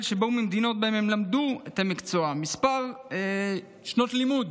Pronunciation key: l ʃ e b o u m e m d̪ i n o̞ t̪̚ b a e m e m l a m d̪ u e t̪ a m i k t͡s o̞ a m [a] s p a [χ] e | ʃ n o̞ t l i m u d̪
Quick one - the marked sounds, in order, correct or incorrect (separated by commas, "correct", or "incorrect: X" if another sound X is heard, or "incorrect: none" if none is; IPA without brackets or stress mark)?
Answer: incorrect: i, incorrect: ʁ